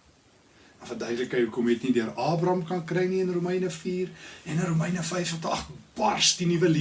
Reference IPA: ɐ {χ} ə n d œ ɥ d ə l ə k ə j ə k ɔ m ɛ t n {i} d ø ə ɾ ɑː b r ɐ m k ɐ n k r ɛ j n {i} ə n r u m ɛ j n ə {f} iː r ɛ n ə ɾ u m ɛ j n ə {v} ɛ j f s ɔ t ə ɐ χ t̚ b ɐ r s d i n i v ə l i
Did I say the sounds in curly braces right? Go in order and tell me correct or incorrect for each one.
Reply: incorrect: f, correct, correct, correct, incorrect: f

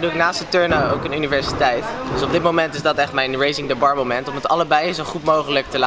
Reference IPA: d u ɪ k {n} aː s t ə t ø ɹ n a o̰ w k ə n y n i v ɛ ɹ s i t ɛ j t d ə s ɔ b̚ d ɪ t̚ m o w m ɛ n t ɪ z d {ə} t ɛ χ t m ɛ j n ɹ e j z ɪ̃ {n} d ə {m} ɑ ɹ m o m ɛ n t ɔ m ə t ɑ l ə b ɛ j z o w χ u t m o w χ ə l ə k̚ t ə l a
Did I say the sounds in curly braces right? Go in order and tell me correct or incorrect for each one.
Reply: correct, incorrect: ɑ, incorrect: ŋ, incorrect: b

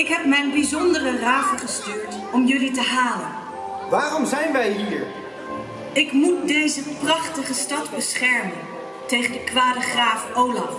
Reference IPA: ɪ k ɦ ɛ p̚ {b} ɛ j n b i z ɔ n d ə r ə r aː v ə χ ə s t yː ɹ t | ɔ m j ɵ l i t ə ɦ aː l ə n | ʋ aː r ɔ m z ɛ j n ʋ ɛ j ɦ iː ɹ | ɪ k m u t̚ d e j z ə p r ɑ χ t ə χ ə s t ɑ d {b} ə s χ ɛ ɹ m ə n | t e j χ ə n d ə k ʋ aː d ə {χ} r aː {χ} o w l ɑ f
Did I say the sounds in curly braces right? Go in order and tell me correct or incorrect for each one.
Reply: incorrect: m, correct, correct, incorrect: f

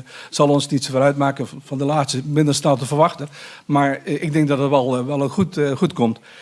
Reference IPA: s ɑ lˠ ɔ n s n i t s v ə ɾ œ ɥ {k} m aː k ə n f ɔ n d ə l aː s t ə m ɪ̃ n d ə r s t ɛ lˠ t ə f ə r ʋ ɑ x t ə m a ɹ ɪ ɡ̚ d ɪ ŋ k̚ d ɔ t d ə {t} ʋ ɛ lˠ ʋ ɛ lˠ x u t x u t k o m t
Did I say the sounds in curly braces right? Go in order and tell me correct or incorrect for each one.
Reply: incorrect: t, correct

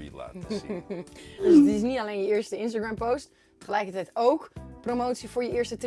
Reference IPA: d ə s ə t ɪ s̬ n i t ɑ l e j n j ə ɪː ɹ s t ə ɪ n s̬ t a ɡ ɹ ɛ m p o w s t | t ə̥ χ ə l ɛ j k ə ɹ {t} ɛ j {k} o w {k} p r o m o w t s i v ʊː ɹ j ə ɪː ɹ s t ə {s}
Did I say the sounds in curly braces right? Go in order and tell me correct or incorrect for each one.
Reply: correct, incorrect: t, correct, incorrect: t

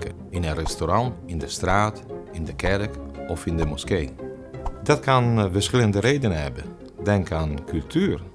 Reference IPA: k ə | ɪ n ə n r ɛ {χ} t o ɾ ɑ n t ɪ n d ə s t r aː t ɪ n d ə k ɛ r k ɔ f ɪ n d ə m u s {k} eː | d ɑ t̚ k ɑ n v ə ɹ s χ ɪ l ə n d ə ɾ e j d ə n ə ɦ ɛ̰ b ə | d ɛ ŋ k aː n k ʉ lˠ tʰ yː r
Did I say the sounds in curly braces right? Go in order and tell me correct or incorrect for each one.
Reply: incorrect: s, correct

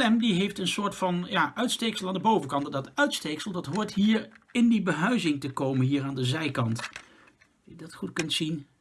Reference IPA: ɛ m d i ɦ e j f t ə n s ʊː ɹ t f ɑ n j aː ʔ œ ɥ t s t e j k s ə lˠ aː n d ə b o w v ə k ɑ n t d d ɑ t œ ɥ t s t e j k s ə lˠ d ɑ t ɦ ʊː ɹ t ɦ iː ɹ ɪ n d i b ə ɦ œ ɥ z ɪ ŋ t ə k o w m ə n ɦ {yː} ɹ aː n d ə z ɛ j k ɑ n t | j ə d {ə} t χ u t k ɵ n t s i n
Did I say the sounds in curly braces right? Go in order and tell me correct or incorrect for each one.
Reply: incorrect: iː, incorrect: ɑ

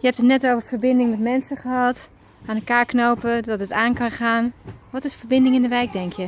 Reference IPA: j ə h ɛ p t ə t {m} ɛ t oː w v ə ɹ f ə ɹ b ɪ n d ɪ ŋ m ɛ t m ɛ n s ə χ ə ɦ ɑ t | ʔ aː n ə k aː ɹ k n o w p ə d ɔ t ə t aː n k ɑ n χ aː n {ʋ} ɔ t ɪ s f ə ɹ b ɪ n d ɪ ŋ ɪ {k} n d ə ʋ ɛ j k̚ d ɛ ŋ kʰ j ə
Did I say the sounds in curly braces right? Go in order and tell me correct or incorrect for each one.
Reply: incorrect: n, correct, incorrect: none

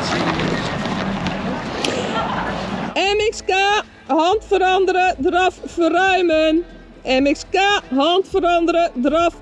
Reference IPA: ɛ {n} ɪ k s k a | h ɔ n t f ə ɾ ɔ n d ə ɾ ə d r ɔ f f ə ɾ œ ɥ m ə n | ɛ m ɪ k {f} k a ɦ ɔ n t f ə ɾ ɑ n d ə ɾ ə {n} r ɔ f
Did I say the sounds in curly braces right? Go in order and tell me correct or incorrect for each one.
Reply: incorrect: m, incorrect: s, incorrect: d

